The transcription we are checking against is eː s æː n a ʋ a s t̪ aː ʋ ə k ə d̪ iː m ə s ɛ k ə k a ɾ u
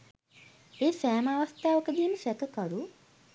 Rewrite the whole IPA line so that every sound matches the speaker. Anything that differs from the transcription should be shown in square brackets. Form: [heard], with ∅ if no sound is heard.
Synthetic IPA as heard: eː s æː [m] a ʋ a s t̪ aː ʋ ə k ə d̪ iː m ə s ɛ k ə k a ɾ u